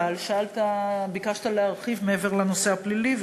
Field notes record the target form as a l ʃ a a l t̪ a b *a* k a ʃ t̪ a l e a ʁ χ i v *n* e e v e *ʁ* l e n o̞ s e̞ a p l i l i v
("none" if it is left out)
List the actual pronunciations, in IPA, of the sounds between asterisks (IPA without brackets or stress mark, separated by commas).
i, m, ʁ